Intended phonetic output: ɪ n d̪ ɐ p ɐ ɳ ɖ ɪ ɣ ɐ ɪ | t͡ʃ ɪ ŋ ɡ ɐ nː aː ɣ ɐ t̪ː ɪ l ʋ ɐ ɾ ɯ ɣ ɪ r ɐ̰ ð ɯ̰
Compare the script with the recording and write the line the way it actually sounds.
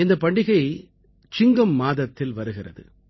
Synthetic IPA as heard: ɪ n d̪ ɐ p ɐ ɳ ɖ ɪ ɣ ɐ ɪ | t͡ʃ ɪ ŋ ɡ ɐ mː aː ð ɐ t̪ː ɪ l ʋ ɐ ɾ ɯ ɣ ɪ r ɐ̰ ð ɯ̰